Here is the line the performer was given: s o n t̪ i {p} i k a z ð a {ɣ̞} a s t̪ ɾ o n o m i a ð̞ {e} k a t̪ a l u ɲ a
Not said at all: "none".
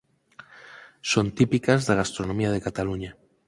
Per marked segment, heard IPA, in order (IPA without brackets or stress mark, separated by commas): p, ɣ̞, e